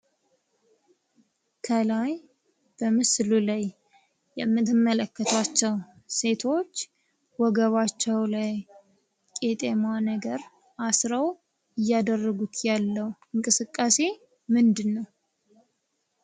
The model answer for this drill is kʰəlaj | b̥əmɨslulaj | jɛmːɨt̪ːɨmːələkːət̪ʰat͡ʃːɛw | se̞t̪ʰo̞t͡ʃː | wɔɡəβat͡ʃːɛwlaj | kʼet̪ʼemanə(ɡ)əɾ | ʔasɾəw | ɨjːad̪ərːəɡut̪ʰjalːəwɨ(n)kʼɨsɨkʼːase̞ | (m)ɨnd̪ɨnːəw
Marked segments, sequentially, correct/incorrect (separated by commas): correct, incorrect, correct